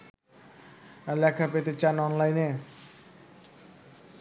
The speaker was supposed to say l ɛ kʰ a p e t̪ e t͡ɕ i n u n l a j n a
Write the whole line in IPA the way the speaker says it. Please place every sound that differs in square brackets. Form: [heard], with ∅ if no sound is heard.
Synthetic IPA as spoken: l ɛ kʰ a p e t̪ e t͡ɕ [a] n [ɔ] n l a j n [e]